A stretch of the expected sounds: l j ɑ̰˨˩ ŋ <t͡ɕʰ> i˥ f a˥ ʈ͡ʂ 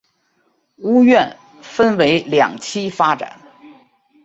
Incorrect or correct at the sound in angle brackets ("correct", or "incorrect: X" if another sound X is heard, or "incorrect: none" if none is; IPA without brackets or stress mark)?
correct